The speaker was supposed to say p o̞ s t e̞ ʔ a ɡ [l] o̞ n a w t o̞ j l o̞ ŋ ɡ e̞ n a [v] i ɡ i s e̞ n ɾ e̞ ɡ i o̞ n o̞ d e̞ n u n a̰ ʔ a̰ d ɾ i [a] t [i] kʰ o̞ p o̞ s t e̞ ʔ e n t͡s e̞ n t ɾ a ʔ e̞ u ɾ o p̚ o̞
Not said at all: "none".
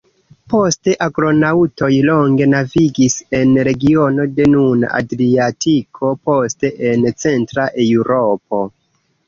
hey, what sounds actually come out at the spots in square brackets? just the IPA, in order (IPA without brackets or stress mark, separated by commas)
ɾ, v, a, i